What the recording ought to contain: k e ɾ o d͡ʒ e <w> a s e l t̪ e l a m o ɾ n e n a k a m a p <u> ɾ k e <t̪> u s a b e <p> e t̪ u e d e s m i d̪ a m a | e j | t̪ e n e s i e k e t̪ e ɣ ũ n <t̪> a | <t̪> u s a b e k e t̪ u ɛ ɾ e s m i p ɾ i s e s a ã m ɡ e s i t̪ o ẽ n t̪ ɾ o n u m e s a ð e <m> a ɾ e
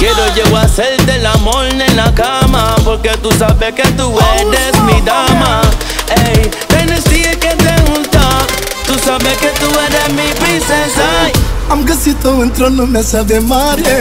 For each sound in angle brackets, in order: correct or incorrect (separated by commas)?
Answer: correct, incorrect, correct, incorrect, correct, correct, correct